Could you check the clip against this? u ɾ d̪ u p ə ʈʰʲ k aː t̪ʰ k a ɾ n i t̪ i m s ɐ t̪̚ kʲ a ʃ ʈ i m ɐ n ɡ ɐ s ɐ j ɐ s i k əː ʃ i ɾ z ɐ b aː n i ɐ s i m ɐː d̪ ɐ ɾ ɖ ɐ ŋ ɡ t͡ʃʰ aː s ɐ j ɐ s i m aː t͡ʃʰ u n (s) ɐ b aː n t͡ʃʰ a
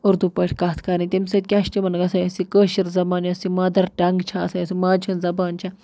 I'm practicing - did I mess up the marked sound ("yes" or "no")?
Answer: yes